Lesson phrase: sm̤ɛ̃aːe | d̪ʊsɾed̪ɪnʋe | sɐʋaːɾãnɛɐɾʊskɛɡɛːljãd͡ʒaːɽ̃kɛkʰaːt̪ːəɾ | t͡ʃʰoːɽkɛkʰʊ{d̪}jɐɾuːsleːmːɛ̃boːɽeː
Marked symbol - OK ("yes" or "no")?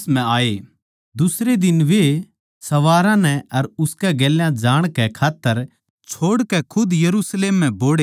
yes